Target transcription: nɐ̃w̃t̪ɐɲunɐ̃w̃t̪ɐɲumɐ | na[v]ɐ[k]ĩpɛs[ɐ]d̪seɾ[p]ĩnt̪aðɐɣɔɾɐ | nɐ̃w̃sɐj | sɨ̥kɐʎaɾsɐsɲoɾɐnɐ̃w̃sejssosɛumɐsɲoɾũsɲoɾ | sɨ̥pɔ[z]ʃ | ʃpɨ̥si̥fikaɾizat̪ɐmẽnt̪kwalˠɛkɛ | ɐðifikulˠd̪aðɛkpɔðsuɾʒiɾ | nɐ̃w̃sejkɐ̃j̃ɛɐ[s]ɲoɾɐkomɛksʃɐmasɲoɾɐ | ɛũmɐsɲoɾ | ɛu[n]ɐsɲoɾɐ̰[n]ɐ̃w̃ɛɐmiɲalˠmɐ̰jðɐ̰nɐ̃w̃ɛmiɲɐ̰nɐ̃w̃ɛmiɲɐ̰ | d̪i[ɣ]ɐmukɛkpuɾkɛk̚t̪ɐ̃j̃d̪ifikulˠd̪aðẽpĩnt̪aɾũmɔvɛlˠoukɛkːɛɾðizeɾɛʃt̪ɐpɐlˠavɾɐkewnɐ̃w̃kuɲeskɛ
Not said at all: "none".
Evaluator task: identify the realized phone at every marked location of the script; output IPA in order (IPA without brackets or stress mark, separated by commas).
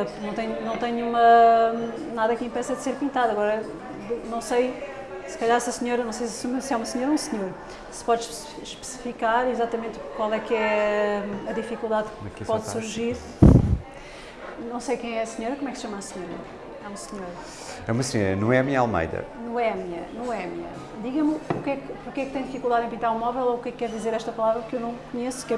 ð, k, ɐ, p, ð, s, m, n, ɣ